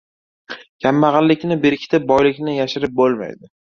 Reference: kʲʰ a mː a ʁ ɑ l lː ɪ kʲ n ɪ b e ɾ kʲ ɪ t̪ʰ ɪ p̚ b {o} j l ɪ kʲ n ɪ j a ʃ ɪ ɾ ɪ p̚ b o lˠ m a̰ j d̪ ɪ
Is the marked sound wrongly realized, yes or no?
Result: yes